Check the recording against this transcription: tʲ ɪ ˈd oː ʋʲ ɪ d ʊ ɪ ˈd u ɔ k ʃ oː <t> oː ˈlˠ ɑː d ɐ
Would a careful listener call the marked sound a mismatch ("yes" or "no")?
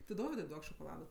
yes